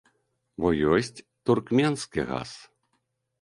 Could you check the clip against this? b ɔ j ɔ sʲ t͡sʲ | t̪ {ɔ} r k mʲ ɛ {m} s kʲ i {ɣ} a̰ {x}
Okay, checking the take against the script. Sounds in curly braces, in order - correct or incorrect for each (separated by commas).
incorrect, incorrect, correct, incorrect